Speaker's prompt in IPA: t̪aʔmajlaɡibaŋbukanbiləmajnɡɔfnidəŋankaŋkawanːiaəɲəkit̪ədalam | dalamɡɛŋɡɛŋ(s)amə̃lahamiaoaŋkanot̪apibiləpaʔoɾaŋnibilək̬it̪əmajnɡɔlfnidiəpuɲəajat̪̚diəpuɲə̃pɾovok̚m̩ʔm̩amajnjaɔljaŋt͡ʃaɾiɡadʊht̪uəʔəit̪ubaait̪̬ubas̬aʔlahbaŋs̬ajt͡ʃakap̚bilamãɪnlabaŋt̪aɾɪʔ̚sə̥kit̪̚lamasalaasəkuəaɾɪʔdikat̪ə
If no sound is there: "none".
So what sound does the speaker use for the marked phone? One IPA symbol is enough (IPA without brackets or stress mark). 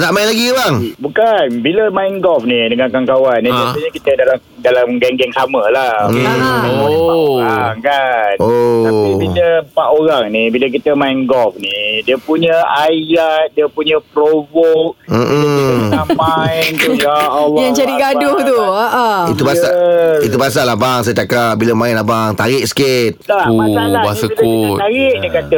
s